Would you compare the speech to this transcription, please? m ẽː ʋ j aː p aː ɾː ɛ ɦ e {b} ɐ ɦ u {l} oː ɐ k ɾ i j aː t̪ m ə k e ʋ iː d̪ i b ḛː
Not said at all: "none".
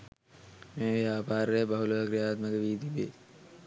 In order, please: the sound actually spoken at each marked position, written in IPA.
b, l

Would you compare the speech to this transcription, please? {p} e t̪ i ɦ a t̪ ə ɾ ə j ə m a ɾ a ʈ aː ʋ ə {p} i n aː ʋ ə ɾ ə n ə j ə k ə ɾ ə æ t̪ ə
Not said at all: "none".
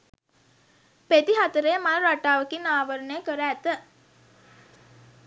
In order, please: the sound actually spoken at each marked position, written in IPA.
p, k

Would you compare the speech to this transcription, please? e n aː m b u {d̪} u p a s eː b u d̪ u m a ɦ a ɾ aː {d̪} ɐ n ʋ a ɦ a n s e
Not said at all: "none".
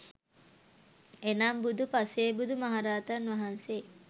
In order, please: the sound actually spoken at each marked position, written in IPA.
d̪, t̪

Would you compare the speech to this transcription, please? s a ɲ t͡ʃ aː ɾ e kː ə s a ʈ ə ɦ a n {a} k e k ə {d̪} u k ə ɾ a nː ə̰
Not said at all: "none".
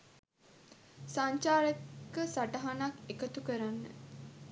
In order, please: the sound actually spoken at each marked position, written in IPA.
a, t̪

